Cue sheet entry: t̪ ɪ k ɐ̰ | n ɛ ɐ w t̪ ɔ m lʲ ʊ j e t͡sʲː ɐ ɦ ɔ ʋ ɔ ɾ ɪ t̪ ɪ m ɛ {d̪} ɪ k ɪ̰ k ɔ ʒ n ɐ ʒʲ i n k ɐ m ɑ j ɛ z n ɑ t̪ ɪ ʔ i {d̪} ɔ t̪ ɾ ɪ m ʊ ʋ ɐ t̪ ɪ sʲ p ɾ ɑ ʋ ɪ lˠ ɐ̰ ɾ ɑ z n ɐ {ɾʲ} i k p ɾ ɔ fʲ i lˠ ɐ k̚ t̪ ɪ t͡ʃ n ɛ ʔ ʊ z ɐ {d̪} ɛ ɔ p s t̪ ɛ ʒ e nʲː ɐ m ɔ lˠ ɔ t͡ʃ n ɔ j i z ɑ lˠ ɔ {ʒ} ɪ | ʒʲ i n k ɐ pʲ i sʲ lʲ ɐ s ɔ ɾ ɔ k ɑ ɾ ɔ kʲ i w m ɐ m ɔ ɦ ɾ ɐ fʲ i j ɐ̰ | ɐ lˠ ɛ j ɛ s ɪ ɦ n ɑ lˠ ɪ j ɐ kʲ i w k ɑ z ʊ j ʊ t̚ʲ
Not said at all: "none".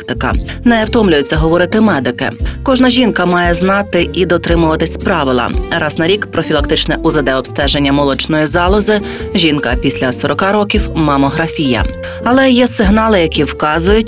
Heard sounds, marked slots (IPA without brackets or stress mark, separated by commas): d̪, d̪, ɾʲ, d̪, z